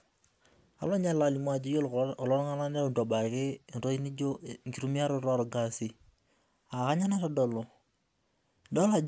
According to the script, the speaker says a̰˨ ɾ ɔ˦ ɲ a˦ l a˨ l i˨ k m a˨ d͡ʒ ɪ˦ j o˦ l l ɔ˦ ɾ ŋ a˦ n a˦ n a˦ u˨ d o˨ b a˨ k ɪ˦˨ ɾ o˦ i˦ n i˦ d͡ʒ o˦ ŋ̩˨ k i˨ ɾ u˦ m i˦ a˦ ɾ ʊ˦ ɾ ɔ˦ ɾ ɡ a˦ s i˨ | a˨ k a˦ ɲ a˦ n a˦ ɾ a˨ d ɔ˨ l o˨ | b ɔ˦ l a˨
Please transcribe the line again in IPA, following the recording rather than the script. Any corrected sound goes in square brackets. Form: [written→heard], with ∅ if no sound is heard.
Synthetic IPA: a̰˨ [ɾ→l] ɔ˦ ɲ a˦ l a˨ l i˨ [k→∅] m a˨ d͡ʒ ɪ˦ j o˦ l l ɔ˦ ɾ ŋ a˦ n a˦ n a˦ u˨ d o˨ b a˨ k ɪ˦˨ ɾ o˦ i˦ n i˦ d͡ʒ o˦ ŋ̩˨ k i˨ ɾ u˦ m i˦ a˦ ɾ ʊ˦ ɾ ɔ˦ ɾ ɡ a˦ s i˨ | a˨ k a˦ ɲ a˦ n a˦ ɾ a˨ d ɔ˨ l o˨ | [b→d] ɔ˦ l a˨